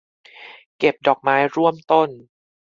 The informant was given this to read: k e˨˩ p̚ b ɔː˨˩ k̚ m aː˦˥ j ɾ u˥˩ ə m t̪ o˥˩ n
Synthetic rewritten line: k e˨˩ p̚ d ɔː˨˩ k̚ m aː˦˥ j ɾ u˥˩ ə m t̪ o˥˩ n